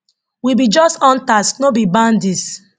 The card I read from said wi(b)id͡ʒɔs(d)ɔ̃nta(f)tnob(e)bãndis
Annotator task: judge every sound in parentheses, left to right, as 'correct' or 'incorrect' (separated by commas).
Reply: correct, incorrect, incorrect, incorrect